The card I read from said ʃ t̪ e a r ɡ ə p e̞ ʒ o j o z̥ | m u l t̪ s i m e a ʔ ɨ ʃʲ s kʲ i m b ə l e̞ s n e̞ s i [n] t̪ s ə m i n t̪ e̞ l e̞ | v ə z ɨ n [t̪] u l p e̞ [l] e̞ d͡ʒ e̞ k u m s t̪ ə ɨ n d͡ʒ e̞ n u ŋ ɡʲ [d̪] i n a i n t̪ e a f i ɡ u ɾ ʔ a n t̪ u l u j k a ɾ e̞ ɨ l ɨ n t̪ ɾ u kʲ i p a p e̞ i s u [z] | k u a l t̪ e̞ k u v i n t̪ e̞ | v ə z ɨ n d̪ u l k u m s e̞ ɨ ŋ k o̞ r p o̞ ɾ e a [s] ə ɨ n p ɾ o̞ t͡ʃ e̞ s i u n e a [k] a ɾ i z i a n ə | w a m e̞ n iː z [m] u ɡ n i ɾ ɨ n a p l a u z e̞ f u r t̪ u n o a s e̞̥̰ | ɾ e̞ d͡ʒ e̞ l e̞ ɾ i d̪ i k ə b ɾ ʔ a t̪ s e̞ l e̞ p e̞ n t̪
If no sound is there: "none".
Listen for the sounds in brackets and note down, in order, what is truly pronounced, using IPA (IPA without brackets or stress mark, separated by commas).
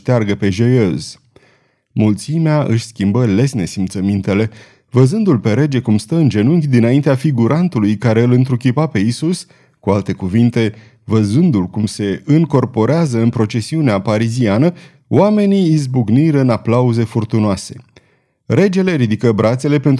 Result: m, d̪, ɾ, d̪, s, z, p, b